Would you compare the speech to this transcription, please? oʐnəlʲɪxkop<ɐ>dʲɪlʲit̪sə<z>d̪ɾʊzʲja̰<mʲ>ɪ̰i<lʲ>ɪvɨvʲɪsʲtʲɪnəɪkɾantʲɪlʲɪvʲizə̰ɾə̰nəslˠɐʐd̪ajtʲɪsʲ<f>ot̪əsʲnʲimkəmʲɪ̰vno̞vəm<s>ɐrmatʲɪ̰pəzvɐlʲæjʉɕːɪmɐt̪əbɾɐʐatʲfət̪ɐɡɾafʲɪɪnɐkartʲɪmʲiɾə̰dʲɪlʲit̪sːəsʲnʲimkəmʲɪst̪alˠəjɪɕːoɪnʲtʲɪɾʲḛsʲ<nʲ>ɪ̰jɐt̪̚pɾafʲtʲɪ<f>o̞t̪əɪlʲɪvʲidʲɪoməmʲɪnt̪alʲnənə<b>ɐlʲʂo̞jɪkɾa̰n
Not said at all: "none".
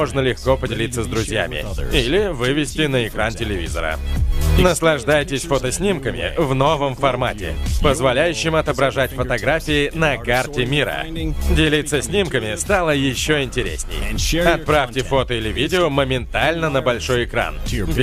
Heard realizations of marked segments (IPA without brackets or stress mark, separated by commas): ə, z, mʲ, lʲ, f, f, nʲ, f, b